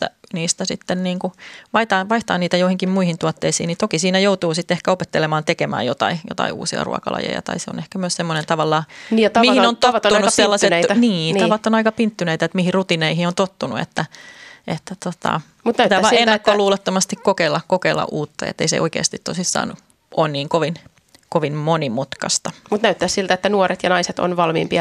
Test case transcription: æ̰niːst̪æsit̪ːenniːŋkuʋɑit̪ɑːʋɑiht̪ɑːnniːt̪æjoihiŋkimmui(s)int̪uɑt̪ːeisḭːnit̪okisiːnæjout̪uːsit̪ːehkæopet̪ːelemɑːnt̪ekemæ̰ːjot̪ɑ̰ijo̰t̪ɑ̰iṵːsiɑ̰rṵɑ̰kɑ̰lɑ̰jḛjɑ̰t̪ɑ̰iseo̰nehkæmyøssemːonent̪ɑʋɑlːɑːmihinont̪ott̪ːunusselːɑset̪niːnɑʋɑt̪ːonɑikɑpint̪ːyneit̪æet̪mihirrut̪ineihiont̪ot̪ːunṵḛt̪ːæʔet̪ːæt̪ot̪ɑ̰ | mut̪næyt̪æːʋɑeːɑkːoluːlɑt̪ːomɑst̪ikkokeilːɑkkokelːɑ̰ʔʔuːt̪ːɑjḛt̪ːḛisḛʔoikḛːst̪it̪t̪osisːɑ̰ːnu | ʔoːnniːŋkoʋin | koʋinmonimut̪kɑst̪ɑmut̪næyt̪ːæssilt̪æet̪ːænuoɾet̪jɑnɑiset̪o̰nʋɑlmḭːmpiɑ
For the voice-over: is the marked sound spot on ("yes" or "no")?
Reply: no